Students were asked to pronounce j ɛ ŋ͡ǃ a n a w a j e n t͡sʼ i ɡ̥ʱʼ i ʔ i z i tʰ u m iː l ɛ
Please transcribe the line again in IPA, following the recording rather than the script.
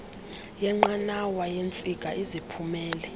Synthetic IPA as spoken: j ɛ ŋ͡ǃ a n a w a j e n t͡sʼ i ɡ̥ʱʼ a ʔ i z i pʰ u m ɛː l ɛ